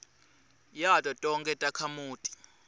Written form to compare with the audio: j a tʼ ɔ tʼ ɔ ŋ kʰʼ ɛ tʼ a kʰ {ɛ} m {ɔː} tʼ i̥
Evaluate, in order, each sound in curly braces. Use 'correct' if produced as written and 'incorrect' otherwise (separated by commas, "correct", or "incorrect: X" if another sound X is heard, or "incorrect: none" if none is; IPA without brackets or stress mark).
incorrect: a, incorrect: uː